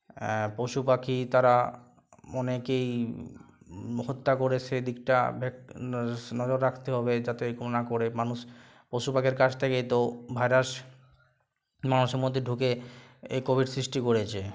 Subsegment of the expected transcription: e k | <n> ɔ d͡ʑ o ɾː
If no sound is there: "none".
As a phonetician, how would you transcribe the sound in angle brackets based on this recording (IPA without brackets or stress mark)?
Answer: n